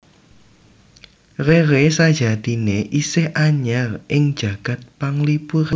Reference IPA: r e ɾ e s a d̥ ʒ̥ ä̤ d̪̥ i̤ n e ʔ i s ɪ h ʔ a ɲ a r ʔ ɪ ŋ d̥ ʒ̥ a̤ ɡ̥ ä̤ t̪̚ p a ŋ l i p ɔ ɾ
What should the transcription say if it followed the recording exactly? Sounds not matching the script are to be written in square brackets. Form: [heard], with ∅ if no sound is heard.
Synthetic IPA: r e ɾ e s a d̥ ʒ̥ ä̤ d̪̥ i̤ n e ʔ i s ɪ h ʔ a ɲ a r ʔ ɪ ŋ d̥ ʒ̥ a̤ ɡ̥ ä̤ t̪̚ p a ŋ l i p [u] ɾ